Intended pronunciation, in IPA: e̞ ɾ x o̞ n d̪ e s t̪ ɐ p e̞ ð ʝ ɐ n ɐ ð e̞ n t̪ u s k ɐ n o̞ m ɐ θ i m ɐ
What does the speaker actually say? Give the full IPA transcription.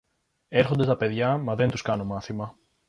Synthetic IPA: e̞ ɾ x o̞ n d̪ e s t̪ ɐ p e̞ ð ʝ ɐ m ɐ ð e̞ n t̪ u s k ɐ n o̞ m ɐ θ i m ɐ

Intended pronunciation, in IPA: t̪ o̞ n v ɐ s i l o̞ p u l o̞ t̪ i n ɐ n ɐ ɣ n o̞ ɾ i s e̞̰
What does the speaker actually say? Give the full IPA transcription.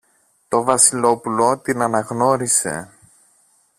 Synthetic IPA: t̪ o̞ v ɐ s i l o̞ p u l o̞ t̪ i n ɐ n ɐ ɣ n o̞ ɾ i s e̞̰

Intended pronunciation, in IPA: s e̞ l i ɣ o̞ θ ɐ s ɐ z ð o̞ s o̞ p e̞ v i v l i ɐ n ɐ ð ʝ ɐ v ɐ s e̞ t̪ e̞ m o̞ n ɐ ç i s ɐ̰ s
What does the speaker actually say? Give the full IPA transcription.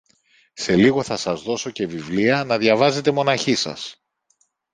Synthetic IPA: s e̞ l i ɣ o̞ θ ɐ s ɐ z ð o̞ s o̞ c e̞ v i v l i ɐ n ɐ ð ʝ ɐ v ɐ z e̞ t̪ e̞ m o̞ n ɐ ç i s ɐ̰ s

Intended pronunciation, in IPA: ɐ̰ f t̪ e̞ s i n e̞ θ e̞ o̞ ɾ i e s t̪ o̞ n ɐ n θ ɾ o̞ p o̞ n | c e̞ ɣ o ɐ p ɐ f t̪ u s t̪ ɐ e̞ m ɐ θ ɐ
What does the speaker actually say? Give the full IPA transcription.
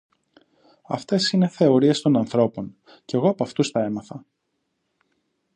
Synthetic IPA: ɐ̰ f t̪ e̞ s i n e̞ θ e̞ o̞ ɾ i e s t̪ o̞ n ɐ n θ ɾ o̞ p o̞ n | c e̞ ɣ o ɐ p ɐ f t̪ u s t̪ ɐ e̞ m ɐ θ ɐ

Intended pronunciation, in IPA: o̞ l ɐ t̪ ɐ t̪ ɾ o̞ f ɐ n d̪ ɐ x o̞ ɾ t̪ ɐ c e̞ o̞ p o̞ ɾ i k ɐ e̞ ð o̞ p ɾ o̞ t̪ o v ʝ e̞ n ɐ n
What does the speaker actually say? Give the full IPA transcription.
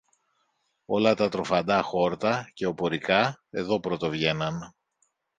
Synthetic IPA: o̞ l ɐ t̪ ɐ t̪ ɾ o̞ f ɐ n d̪ ɐ x o̞ ɾ t̪ ɐ c e̞ o̞ p o̞ ɾ i k ɐ e̞ ð o̞ p ɾ o̞ t̪ o v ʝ e̞ n ɐ n

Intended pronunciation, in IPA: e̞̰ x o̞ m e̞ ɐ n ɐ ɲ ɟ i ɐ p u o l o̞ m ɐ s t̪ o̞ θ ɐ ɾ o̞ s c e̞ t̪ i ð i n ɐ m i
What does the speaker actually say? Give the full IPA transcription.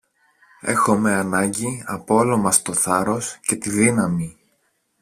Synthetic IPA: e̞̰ x o̞ m e̞ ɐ n ɐ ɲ ɟ i ɐ p o o l o̞ m ɐ s t̪ o̞ θ ɐ ɾ o̞ s c e̞ t̪ i ð i n ɐ m i

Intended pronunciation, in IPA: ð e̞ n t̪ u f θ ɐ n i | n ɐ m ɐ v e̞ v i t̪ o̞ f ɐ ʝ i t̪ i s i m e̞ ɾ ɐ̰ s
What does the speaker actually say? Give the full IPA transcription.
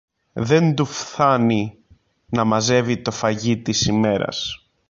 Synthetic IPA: ð e̞ n d̪ u f θ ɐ n i | n ɐ m ɐ z e̞ v i t̪ o̞ f ɐ ʝ i t̪ i s i m e̞ ɾ ɐ̰ s

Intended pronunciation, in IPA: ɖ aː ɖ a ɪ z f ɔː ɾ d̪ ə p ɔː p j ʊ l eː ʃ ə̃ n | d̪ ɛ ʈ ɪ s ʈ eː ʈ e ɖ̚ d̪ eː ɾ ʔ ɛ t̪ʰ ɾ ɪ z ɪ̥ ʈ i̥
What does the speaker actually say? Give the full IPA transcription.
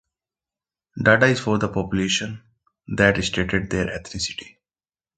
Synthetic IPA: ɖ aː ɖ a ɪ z f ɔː ɾ d̪ ə p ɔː p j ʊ l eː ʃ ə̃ n | d̪ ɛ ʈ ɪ s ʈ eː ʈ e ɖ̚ d̪ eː ɾ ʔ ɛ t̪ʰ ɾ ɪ s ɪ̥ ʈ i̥

